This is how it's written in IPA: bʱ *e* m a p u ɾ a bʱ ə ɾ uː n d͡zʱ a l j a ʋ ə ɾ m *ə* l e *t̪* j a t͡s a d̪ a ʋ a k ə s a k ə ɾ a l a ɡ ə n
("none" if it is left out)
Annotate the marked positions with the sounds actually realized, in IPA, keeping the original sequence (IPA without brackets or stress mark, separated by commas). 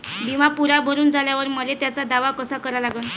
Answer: i, ə, t̪